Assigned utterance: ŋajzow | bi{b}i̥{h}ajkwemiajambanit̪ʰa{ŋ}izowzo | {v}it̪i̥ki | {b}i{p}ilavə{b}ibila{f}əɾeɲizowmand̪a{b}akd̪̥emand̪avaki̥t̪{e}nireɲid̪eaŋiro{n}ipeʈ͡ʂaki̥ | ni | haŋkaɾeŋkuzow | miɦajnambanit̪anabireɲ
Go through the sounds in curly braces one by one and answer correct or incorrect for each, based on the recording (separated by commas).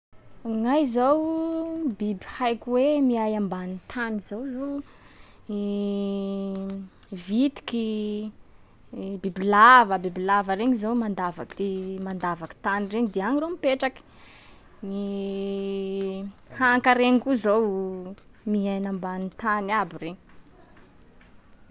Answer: correct, correct, incorrect, correct, correct, incorrect, correct, incorrect, incorrect, incorrect, incorrect